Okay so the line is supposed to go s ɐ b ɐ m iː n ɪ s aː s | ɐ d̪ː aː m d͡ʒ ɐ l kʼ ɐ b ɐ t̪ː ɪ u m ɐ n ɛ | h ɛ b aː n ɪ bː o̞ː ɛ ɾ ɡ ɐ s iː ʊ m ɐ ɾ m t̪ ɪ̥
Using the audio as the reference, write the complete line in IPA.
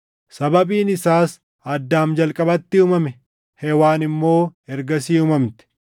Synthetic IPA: s ɐ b ɐ b iː n ɪ s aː s | ɐ d̪ː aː m d͡ʒ ɐ l kʼ ɐ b ɐ t̪ː ɪ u m ɐ m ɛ | h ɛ w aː n ɪ mː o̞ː ɛ ɾ ɡ ɐ s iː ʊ m ɐ m t̪ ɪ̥

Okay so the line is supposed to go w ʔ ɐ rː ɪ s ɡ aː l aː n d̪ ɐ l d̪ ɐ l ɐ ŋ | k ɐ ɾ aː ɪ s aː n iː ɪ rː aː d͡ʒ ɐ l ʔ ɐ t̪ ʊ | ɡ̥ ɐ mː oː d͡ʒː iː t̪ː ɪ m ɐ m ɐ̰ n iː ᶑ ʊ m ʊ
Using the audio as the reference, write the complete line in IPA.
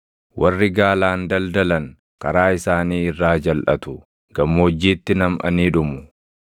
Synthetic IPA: w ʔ ɐ rː ɪ ɡ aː l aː n d̪ ɐ l d̪ ɐ l ɐ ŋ | k ɐ ɾ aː ɪ s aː n iː ɪ rː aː d͡ʒ ɐ l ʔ ɐ t̪ ʊ | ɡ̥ ɐ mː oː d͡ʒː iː t̪ː ɪ n ɐ m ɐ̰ n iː ᶑ ʊ m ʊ

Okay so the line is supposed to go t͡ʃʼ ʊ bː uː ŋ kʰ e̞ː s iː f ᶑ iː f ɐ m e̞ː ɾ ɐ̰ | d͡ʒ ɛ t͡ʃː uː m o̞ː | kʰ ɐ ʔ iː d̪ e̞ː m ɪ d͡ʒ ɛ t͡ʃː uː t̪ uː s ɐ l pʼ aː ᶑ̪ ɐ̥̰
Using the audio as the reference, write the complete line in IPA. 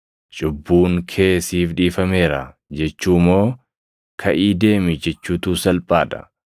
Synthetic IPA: t͡ʃʼ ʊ bː uː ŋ kʰ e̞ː s iː f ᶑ iː f ɐ m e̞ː ɾ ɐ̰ | d͡ʒ ɛ t͡ʃː uː m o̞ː | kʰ ɐ ʔ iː d̪ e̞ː m ɪ d͡ʒ ɛ t͡ʃː uː t̪ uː s ɐ l pʼ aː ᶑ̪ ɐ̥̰

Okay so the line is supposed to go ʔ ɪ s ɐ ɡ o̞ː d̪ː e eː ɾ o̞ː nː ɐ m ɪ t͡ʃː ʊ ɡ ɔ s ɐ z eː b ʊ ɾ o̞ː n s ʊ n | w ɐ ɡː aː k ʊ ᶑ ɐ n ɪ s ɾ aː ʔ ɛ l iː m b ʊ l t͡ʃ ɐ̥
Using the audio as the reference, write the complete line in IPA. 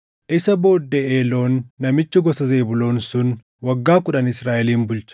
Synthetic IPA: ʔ ɪ s ɐ b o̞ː d̪ː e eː l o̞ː nː ɐ m ɪ t͡ʃː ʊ ɡ ɔ s ɐ z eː b ʊ l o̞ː n s ʊ n | w ɐ ɡː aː k ʊ ᶑ ɐ n ɪ s ɾ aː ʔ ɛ l iː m b ʊ l t͡ʃ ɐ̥

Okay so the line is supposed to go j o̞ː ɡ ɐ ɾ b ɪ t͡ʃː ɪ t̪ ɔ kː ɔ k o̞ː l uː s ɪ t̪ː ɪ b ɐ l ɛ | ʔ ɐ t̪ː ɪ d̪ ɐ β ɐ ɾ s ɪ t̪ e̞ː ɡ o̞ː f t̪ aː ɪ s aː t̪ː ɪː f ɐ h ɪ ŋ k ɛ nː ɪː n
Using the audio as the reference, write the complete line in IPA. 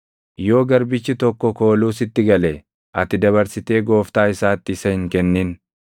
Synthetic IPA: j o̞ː ɡ ɐ ɾ b ɪ t͡ʃː ɪ t̪ ɔ kː ɔ k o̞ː l uː s ɪ t̪ː ɪ ɡ ɐ l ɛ | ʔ ɐ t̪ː ɪ d̪ ɐ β ɐ ɾ s ɪ t̪ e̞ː ɡ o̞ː f t̪ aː ɪ s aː t̪ː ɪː s ɐ h ɪ ŋ k ɛ nː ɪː n

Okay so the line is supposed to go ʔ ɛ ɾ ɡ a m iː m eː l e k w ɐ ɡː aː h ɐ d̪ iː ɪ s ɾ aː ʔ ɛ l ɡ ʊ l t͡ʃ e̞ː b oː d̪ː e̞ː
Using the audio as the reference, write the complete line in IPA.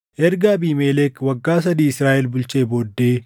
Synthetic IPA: ʔ ɛ ɾ ɡ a b iː m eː l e k w ɐ ɡː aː s ɐ d̪ iː ɪ s ɾ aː ʔ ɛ l b ʊ l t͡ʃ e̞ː b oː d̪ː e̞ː

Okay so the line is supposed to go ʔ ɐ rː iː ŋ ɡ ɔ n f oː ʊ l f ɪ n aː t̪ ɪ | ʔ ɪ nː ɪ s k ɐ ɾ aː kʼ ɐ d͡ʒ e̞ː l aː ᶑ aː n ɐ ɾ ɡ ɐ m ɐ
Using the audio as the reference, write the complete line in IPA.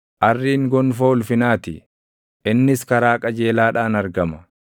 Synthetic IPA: ʔ ɐ rː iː ŋ ɡ ɔ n f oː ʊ l f ɪ n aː t̪ ɪ | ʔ ɪ nː ɪ s k ɐ ɾ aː kʼ ɐ d͡ʒ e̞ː l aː ᶑ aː n ɐ ɾ ɡ ɐ m ɐ

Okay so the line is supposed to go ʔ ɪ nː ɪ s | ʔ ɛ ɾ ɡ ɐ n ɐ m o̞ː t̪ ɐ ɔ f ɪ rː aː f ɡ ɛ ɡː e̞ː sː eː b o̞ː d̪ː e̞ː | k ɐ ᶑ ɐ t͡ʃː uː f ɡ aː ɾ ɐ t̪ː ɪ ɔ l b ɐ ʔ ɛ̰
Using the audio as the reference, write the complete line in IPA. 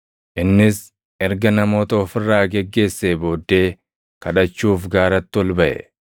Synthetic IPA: ʔ ɪ nː ɪ s | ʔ ɛ ɾ ɡ ɐ n ɐ m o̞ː t̪ ɐ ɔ f ɪ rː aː ɡ ɛ ɡː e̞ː sː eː b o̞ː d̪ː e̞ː | k ɐ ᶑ ɐ t͡ʃː uː f ɡ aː ɾ ɐ t̪ː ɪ ɔ l b ɐ ʔ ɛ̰

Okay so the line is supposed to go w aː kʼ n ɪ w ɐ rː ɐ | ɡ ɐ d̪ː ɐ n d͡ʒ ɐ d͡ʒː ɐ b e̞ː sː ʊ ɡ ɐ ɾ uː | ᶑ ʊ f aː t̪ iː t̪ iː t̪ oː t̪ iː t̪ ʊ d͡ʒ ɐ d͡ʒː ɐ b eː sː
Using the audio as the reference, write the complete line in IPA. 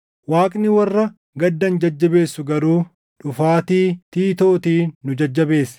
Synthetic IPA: w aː kʼ n ɪ w ɐ rː ɐ | ɡ ɐ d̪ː ɐ n d͡ʒ ɐ d͡ʒː ɐ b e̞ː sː ʊ ɡ ɐ ɾ uː | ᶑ ʊ f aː t̪ iː t̪ iː t̪ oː t̪ iː ʊ d͡ʒ ɐ d͡ʒː ɐ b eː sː

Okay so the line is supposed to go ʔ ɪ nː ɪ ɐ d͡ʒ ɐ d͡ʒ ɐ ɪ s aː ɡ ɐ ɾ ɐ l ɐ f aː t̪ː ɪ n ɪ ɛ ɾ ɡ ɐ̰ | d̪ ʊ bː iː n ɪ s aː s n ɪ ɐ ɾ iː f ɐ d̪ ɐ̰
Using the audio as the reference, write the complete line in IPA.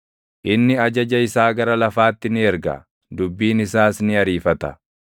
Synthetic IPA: ʔ ɪ nː ɪ ɐ d͡ʒ ɐ d͡ʒ ɐ ɪ s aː ɡ ɐ ɾ ɐ l ɐ f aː t̪ː ɪ n ɪ ɛ ɾ ɡ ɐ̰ | d̪ ʊ bː iː n ɪ s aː s n ɪ ɐ ɾ iː f ɐ t̪ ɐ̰

